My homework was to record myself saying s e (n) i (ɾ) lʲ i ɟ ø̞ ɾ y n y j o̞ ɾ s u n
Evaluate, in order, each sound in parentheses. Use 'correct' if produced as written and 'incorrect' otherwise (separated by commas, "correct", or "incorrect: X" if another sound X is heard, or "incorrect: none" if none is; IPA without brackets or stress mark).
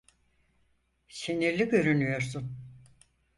correct, correct